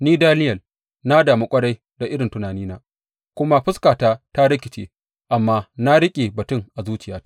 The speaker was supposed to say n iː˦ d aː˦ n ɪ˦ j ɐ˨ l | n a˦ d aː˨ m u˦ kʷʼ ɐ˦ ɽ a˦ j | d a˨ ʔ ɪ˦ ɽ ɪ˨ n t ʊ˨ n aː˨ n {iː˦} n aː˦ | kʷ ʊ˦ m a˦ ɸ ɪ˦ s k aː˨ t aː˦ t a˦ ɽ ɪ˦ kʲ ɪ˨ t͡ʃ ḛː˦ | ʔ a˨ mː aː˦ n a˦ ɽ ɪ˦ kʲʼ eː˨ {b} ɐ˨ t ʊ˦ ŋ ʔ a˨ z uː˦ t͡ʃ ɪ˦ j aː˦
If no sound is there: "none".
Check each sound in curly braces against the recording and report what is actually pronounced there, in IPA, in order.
iː˦, b

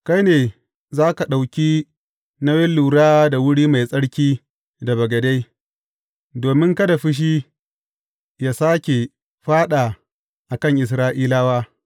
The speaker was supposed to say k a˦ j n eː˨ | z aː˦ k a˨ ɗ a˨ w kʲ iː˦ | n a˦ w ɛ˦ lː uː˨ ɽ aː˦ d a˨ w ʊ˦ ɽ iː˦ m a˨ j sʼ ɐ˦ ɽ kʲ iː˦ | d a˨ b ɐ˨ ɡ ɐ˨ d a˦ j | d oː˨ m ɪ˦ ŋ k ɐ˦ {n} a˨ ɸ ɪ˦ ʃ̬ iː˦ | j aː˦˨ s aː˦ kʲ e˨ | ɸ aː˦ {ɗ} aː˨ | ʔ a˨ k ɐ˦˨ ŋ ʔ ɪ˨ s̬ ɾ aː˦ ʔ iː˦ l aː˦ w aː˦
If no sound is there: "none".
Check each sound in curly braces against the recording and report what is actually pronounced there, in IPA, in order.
d, ɗ

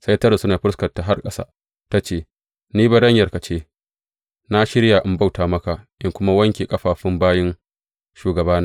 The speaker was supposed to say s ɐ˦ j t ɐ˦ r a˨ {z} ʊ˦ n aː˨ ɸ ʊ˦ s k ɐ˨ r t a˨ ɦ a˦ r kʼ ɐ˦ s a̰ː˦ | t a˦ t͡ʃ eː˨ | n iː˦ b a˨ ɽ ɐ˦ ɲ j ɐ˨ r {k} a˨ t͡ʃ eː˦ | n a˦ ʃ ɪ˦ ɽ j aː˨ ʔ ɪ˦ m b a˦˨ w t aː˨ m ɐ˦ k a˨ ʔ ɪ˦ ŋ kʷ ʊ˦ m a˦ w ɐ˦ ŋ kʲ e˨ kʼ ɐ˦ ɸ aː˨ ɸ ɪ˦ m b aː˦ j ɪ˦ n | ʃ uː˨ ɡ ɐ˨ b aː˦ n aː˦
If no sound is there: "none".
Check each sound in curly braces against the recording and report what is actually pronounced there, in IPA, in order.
s, k

